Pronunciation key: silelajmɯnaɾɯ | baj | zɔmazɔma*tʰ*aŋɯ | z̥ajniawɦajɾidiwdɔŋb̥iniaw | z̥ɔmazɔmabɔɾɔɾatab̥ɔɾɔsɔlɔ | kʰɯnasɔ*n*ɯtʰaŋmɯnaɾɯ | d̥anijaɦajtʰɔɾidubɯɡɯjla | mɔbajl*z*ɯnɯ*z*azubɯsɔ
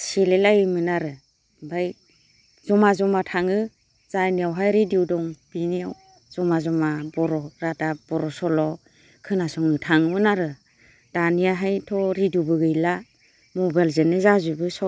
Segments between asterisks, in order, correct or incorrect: correct, incorrect, correct, correct

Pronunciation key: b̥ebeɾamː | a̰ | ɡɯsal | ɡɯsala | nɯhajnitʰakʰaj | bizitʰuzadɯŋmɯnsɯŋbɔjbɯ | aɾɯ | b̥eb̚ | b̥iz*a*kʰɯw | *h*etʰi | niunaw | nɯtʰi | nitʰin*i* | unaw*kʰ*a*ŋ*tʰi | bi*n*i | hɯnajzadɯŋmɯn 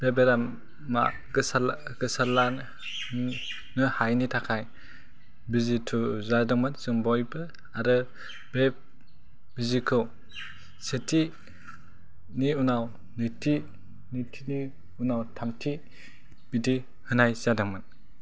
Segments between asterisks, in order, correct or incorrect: incorrect, incorrect, correct, incorrect, incorrect, incorrect

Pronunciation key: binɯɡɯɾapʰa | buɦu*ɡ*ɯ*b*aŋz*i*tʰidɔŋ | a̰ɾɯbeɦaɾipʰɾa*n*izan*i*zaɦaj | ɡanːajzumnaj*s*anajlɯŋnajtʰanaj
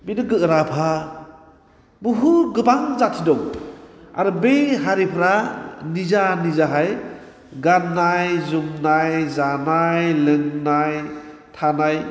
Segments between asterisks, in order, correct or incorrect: correct, correct, incorrect, correct, correct, incorrect

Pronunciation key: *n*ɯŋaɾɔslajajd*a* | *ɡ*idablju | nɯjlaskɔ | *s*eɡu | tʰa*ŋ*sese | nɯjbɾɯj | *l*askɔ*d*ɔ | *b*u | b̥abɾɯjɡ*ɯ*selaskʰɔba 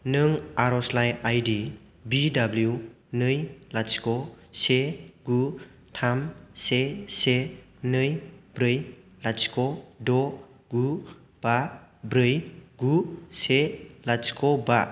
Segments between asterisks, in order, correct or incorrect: correct, incorrect, incorrect, correct, incorrect, correct, correct, incorrect, incorrect

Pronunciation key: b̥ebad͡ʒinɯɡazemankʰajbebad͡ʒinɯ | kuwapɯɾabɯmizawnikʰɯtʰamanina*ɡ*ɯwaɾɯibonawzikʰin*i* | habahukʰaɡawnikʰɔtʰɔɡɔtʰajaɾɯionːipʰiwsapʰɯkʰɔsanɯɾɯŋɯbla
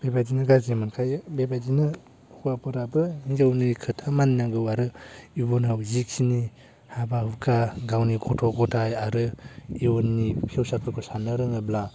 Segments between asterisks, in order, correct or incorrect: correct, correct

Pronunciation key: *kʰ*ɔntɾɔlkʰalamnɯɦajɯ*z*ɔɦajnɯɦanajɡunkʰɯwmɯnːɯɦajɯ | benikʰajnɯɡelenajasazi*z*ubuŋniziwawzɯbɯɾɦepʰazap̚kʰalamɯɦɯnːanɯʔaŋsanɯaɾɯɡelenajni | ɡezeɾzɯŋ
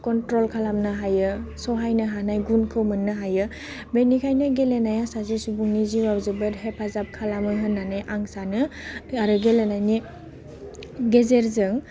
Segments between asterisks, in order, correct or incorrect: incorrect, incorrect, incorrect

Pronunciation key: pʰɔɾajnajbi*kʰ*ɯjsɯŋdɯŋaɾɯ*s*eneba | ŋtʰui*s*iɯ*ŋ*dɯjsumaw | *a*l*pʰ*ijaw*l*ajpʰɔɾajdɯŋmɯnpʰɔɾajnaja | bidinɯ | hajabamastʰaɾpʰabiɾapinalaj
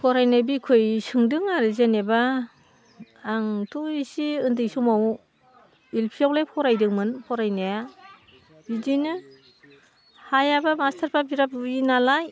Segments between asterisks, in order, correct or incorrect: correct, incorrect, correct, incorrect, incorrect, correct, correct

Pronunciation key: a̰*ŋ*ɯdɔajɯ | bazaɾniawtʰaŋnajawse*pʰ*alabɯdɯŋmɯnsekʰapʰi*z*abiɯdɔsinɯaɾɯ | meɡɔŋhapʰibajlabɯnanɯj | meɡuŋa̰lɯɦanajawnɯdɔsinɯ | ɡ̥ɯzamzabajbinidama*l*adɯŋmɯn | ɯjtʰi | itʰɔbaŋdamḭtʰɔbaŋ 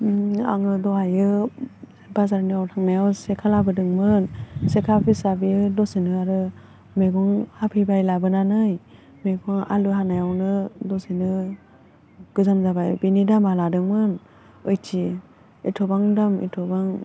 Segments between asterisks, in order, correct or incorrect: correct, incorrect, incorrect, correct

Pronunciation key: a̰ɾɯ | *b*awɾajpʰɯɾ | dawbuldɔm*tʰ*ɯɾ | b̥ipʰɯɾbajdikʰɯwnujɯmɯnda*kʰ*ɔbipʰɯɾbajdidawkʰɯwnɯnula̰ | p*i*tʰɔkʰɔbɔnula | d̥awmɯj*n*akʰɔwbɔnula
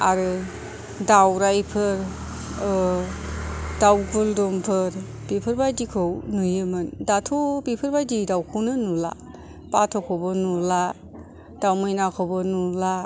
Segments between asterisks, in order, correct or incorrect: incorrect, incorrect, incorrect, incorrect, correct

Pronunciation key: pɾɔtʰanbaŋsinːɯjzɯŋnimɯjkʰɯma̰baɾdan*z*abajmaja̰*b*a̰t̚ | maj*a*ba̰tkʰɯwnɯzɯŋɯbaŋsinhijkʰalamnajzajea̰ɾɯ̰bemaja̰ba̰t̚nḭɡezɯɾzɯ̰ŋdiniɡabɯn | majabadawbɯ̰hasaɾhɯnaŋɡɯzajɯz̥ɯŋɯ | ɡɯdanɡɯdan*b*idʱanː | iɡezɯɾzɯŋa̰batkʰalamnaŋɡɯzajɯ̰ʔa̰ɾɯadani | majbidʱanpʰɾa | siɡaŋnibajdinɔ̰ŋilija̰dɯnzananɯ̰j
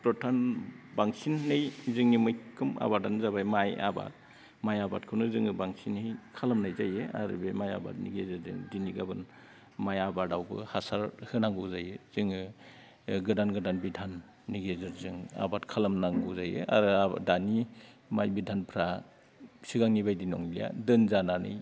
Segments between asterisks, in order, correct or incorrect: correct, correct, correct, correct

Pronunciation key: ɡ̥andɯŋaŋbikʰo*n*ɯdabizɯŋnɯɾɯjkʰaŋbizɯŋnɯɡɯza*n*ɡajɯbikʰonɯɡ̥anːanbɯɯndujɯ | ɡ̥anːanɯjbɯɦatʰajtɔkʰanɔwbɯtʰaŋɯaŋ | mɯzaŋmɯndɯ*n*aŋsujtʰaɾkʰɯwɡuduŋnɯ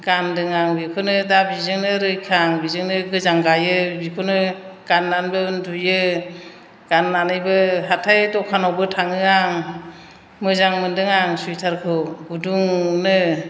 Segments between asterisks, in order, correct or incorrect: correct, incorrect, incorrect

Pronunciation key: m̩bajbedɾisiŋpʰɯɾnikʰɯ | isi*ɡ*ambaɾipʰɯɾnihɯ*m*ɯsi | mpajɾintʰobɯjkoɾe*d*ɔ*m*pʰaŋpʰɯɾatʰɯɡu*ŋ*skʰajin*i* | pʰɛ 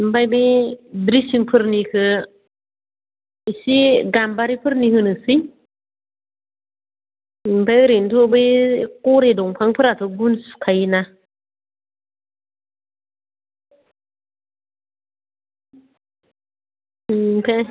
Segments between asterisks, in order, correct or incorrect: correct, incorrect, correct, incorrect, incorrect, incorrect

